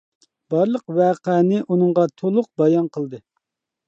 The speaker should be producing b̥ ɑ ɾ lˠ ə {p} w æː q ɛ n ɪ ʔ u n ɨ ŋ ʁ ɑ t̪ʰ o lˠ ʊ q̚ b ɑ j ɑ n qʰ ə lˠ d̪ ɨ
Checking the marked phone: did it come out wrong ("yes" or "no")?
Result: yes